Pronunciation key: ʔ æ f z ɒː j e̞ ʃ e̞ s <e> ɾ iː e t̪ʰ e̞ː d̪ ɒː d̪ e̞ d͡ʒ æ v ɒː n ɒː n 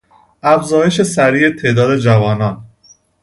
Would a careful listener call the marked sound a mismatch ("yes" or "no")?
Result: yes